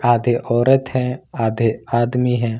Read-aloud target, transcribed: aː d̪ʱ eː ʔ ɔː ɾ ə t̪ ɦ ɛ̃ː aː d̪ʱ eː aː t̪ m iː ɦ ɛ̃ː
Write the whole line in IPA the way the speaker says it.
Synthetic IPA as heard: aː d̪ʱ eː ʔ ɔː ɾ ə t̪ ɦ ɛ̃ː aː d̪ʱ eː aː d̪ m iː ɦ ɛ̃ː